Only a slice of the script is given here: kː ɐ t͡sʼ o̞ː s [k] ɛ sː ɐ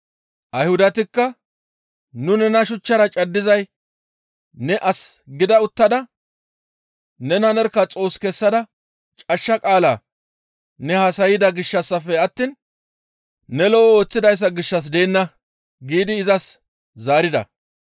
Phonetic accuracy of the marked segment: correct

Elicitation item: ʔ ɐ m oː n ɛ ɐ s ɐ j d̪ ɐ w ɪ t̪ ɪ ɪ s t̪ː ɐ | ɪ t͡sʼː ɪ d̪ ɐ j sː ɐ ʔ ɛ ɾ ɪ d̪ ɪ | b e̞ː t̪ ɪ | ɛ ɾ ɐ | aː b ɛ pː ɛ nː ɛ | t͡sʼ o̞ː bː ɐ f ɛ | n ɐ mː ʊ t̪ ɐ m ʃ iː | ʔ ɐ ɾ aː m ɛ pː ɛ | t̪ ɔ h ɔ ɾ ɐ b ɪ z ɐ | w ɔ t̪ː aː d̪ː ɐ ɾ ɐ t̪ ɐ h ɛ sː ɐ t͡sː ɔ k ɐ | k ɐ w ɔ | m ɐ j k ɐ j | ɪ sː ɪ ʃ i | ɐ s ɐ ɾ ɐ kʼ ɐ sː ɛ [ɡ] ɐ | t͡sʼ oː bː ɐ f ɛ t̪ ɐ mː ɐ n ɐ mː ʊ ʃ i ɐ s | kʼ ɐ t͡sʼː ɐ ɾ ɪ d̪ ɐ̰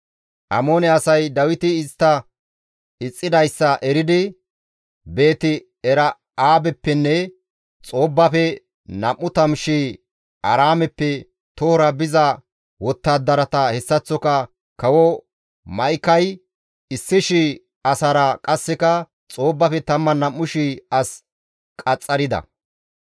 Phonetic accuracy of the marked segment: incorrect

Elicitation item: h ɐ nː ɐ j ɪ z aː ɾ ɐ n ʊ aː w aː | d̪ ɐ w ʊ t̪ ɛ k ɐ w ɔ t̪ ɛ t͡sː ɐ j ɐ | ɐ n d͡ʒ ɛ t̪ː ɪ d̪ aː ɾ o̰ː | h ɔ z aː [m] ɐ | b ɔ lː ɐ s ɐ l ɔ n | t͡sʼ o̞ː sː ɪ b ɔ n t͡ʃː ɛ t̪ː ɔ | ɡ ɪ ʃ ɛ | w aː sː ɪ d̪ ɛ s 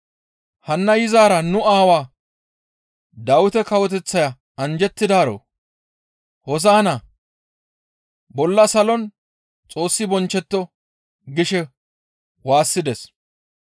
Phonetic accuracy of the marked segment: incorrect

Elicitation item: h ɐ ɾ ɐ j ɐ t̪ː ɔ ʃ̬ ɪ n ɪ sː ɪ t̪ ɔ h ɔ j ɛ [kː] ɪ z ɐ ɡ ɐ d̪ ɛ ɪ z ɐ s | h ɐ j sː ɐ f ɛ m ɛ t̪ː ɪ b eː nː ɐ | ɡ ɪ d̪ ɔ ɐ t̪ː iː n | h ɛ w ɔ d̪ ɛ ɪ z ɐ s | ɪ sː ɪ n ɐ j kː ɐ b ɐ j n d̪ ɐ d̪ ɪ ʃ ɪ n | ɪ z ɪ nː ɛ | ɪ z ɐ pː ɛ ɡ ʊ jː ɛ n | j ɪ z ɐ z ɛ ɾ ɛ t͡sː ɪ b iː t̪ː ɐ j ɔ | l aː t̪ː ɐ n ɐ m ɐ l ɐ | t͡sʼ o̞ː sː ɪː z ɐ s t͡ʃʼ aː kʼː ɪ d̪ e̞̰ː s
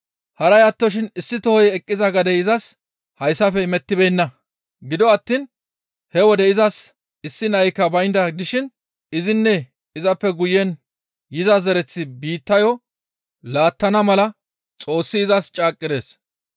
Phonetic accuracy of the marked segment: incorrect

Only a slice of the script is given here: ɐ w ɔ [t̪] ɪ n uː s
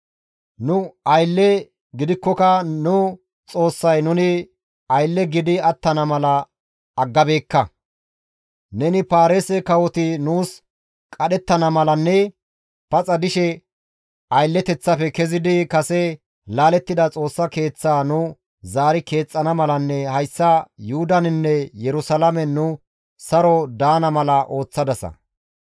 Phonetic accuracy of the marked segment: correct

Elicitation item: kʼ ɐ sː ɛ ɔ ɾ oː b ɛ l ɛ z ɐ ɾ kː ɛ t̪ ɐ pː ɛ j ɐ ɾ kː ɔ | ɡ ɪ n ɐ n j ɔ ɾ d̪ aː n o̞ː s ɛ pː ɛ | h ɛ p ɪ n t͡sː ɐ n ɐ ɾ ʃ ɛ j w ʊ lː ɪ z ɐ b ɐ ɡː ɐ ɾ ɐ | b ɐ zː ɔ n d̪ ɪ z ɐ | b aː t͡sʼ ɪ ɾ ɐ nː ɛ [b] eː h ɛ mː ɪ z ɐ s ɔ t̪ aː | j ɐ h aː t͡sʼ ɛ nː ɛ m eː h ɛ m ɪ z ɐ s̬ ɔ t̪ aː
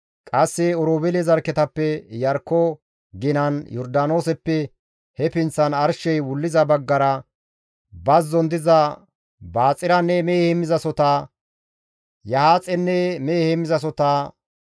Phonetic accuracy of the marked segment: incorrect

